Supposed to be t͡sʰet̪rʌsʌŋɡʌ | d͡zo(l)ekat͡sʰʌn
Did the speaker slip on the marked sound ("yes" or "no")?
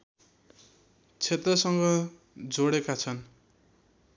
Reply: yes